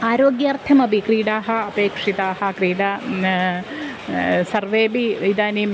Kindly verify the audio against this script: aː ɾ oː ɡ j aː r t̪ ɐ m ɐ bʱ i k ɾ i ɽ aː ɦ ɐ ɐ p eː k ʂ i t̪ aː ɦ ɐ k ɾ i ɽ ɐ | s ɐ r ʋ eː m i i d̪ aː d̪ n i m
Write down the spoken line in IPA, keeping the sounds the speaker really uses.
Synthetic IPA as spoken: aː ɾ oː ɡ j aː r t̪ʰ ɐ m ɐ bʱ i k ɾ iː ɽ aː ɦ ɐ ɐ p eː k ʂ i t̪ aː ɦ ɐ k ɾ iː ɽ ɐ | s ɐ r ʋ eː b i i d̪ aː n i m